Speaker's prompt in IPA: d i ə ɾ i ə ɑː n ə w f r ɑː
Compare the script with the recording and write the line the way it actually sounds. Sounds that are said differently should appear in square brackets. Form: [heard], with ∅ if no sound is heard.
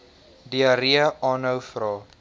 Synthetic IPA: d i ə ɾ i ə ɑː n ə w f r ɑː